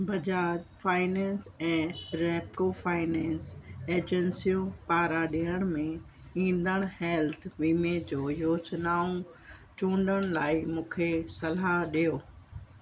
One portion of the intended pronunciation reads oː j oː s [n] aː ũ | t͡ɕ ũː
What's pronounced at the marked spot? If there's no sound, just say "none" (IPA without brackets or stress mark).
n